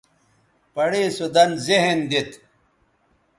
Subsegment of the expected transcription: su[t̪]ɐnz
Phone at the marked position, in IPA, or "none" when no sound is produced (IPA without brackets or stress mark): d̪